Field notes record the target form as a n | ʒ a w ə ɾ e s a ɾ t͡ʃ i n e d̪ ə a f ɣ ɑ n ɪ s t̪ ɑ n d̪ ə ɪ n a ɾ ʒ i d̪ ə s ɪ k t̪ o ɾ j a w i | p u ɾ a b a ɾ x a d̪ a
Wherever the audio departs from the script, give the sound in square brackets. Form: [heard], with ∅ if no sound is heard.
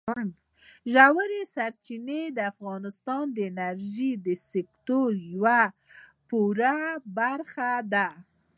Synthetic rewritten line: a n | ʒ a w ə ɾ e s a ɾ t͡ʃ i n e d̪ ə a f ɣ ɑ n ɪ s t̪ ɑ n d̪ ə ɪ n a ɾ ʒ i d̪ ə s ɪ k t̪ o ɾ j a w [a] | p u ɾ a b a ɾ x a d̪ a